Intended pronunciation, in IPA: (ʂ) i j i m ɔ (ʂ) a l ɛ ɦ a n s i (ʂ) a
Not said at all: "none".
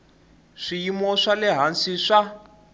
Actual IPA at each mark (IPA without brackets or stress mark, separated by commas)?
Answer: ʂ, ʂ, ʂ